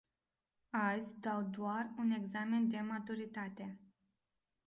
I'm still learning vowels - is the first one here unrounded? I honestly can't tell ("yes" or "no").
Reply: yes